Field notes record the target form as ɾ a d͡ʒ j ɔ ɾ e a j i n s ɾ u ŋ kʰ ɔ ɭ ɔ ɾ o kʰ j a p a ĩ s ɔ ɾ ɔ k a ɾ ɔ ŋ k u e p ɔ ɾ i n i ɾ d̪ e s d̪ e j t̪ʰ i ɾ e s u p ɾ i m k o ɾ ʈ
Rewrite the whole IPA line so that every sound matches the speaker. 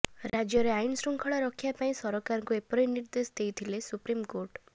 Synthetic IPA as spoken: ɾ a d͡ʒ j ɔ ɾ e a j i n s ɾ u ŋ kʰ ɔ ɭ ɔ ɾ ɔ kʰ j a p a ĩ s ɔ ɾ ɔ k a ɾ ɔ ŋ k u e p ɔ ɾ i n i ɾ d̪ e s d̪ e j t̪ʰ i l e s u p ɾ i m k o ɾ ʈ